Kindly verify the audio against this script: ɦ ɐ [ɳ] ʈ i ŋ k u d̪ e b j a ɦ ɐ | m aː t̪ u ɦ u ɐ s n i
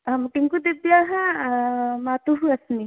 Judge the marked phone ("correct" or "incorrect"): incorrect